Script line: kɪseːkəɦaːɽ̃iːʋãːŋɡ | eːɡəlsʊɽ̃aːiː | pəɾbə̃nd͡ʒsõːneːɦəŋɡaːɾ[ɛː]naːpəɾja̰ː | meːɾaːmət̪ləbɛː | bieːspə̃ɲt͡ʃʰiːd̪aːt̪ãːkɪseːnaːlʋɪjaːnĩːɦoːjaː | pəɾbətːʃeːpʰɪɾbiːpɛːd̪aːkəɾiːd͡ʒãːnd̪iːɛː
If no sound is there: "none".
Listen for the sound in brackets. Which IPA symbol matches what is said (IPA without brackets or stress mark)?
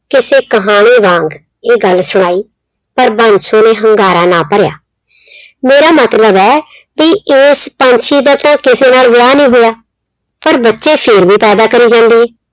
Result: aː